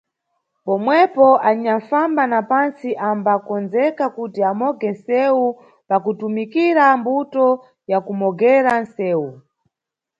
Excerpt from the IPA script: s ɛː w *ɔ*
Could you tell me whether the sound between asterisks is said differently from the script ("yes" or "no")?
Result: yes